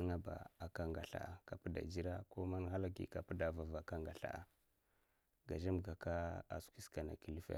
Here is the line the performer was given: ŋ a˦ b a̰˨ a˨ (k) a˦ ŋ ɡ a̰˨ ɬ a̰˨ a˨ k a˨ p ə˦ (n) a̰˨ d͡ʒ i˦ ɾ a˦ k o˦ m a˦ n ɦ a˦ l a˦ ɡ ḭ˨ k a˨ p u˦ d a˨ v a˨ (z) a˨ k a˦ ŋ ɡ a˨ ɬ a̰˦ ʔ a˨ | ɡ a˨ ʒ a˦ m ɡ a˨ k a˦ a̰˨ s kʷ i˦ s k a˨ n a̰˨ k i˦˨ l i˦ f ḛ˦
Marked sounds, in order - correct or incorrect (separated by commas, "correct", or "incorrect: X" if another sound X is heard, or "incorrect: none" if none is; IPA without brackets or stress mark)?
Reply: correct, incorrect: d, incorrect: v